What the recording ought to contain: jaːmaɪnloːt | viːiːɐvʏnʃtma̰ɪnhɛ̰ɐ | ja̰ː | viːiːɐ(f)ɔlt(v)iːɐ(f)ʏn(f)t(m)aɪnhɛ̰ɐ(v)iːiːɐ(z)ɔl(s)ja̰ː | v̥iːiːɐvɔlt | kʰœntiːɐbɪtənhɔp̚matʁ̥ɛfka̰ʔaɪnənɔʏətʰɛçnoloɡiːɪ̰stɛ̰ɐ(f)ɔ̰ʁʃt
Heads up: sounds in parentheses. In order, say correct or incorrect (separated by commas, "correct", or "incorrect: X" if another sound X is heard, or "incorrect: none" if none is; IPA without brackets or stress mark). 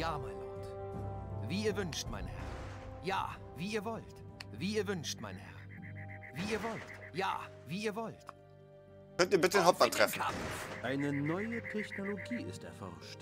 incorrect: v, correct, incorrect: v, incorrect: ʃ, correct, correct, incorrect: v, incorrect: t, correct